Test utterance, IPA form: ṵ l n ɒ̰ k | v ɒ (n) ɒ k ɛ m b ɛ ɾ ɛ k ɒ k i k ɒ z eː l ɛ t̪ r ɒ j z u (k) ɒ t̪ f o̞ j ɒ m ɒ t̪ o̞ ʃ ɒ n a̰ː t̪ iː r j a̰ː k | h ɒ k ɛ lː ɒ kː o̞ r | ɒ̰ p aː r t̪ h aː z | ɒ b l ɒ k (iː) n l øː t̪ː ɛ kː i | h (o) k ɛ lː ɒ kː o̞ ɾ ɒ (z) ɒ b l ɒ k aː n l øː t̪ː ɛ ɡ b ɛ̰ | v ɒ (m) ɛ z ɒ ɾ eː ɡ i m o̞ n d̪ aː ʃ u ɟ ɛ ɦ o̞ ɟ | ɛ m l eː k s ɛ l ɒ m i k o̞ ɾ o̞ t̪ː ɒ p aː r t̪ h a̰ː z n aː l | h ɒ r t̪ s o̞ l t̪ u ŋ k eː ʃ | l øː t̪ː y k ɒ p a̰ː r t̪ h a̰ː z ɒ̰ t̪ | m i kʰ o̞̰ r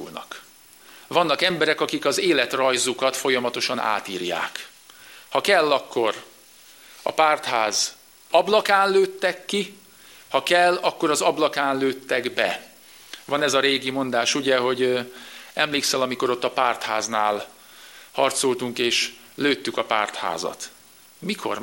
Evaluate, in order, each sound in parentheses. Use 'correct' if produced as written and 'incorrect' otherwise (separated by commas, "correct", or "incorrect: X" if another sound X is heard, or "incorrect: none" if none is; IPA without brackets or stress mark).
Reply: incorrect: nː, correct, incorrect: aː, incorrect: ɒ, correct, incorrect: n